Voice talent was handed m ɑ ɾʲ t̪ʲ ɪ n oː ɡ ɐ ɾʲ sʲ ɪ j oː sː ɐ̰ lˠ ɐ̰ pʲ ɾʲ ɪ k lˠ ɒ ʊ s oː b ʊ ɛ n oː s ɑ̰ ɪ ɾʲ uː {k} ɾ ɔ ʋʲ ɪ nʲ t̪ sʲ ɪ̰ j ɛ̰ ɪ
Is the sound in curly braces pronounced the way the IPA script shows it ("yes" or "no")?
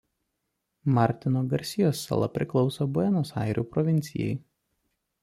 no